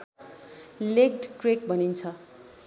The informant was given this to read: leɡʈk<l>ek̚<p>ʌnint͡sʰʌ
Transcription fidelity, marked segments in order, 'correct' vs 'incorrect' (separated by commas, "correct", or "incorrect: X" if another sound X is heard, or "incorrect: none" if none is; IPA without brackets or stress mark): incorrect: r, incorrect: b